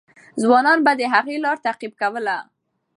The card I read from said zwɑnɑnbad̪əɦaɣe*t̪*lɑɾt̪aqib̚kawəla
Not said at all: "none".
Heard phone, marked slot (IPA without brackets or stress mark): none